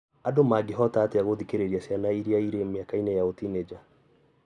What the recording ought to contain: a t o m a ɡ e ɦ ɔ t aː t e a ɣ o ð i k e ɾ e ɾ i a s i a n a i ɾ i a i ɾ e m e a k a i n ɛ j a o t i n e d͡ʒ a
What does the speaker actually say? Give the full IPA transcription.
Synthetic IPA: a d o m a ɡ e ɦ ɔ t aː t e a ɣ o ð i k e ɾ e ɾ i a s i a n a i ɾ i a i ɾ e m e a k a i n ɛ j a o t i n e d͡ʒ a